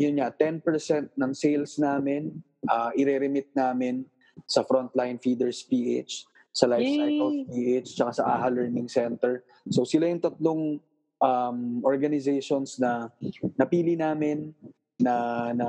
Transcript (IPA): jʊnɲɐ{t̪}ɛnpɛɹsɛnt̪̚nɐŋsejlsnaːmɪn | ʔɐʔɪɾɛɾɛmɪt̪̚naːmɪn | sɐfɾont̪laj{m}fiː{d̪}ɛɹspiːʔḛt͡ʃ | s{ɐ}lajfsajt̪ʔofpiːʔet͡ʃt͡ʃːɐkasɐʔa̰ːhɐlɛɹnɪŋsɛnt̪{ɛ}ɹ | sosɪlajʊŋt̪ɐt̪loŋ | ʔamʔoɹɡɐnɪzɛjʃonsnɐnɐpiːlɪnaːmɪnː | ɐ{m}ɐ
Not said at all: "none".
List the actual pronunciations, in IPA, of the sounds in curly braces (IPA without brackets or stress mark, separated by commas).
t̪, n, d̪, ɐ, ɛ, n